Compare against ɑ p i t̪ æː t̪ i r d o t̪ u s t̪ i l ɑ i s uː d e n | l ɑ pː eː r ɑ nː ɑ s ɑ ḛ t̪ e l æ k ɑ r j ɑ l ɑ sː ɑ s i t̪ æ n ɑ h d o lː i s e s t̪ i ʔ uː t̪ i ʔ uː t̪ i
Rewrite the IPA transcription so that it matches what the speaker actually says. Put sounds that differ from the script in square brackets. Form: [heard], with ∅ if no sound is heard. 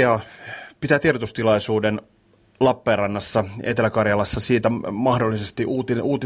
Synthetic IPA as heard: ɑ p i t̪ æː t̪ i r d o t̪ u s t̪ i l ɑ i s uː d e n | l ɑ pː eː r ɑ nː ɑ [sː] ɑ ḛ t̪ e l æ k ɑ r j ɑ l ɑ sː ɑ s [iː] t̪ æ [m] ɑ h d o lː i s e s t̪ i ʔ uː t̪ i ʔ uː t̪ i